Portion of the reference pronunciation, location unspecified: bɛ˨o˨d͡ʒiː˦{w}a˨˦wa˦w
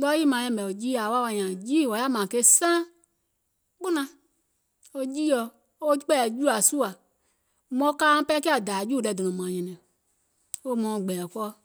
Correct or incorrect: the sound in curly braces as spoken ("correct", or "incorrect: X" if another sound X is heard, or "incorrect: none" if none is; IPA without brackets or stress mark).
incorrect: none